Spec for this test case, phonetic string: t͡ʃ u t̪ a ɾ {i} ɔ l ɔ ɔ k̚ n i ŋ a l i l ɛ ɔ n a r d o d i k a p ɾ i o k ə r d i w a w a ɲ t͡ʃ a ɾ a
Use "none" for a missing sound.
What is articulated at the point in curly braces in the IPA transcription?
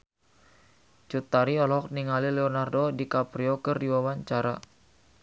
i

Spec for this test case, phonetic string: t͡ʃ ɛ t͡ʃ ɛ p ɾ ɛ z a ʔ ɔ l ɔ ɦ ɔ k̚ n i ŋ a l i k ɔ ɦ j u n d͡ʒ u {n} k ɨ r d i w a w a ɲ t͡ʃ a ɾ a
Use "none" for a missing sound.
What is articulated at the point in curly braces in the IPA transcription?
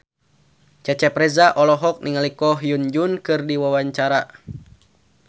n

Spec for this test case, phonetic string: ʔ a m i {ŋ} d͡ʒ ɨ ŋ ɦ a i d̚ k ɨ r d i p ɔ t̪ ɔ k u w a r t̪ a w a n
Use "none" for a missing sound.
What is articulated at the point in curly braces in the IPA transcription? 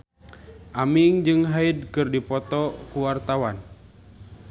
ŋ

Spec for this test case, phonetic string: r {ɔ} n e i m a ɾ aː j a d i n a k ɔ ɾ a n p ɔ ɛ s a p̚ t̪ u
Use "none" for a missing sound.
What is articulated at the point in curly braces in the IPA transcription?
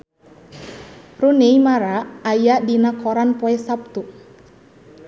u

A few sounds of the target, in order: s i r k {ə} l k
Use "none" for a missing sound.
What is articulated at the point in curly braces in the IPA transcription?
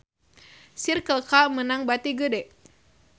ə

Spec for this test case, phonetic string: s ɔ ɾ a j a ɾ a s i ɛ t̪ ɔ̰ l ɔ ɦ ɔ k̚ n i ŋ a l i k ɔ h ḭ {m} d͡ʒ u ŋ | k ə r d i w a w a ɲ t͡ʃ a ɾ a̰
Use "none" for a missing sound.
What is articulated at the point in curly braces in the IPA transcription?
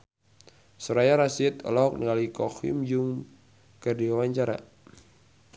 m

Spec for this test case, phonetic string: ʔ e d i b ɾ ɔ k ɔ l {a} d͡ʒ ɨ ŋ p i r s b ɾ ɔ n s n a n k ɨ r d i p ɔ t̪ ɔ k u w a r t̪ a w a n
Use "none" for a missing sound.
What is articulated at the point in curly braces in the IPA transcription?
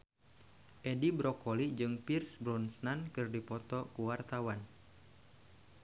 i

